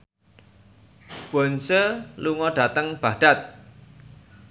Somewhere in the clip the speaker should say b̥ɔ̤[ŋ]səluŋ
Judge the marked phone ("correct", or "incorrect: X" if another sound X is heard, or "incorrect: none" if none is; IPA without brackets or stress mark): incorrect: n